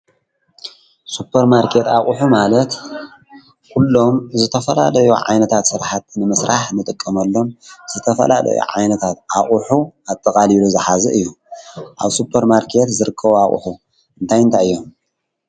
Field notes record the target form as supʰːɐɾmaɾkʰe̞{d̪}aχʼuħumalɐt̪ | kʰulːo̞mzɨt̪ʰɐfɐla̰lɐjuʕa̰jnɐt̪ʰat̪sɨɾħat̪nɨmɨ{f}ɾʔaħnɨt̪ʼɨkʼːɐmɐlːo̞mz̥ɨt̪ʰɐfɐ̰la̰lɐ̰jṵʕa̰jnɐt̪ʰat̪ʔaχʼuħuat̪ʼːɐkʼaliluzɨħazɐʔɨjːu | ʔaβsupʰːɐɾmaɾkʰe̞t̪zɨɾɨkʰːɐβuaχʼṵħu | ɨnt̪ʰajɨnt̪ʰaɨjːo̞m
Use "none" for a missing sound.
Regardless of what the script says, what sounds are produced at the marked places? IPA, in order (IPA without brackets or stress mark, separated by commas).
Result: t̪, s